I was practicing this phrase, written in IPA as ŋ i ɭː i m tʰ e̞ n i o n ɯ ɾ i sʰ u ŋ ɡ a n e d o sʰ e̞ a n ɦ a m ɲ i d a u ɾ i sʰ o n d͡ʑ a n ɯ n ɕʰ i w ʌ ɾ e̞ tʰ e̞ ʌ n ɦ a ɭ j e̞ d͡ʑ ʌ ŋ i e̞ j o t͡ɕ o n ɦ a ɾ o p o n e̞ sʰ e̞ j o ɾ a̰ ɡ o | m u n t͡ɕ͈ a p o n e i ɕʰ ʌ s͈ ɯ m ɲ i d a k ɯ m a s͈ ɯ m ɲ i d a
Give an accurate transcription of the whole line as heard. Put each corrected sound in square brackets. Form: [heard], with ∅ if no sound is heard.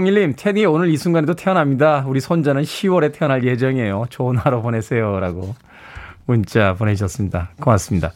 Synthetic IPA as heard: ŋ i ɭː i m tʰ e̞ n i o n ɯ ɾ i sʰ u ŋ ɡ a n e d o [tʰ] e̞ [ʌ] n ɦ a m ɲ i d a u ɾ i sʰ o n d͡ʑ a n ɯ n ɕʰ i w ʌ ɾ e̞ tʰ e̞ ʌ n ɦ a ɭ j e̞ d͡ʑ ʌ ŋ i e̞ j o t͡ɕ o n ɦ a ɾ o p o n e̞ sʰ e̞ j o ɾ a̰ ɡ o | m u n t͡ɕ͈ a p o n e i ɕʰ ʌ s͈ ɯ m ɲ i d a k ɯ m a s͈ ɯ m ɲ i d a